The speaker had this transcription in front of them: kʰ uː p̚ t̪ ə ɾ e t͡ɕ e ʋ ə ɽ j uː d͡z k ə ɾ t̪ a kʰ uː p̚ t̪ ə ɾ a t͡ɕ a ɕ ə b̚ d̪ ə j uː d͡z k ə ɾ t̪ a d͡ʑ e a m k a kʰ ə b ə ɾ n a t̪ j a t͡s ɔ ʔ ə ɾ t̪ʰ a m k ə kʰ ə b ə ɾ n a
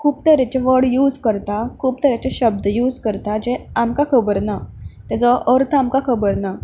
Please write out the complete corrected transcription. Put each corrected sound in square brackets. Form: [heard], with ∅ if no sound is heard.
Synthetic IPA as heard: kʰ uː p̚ t̪ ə ɾ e t͡ɕ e ʋ ə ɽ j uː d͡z k ə ɾ t̪ a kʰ uː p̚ t̪ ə ɾ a t͡ɕ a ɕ ə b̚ d̪ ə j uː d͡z k ə ɾ t̪ a d͡ʑ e a m k a kʰ ə b ə ɾ n a t̪ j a t͡s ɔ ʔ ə ɾ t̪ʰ a m k [a] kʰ ə b ə ɾ n a